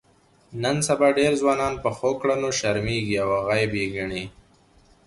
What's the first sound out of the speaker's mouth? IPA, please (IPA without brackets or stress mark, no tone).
n